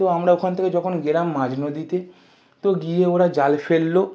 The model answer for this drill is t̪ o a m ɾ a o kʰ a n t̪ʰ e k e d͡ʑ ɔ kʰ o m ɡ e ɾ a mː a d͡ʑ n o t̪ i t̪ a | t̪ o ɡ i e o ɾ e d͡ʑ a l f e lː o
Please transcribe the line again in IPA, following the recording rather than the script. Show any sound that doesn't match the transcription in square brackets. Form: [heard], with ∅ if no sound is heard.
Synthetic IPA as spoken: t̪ o a m ɾ a o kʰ a n t̪ʰ e k e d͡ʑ ɔ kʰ o [n] ɡ e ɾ a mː a d͡ʑ n o [d̪] i t̪ [e] | t̪ o ɡ i e o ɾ [a] d͡ʑ a l f e lː o